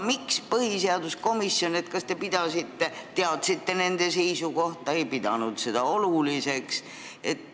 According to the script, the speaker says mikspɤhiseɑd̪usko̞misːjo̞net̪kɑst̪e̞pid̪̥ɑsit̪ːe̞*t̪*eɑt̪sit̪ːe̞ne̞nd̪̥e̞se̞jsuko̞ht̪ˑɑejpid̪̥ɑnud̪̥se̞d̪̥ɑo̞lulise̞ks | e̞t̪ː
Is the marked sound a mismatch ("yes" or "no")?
no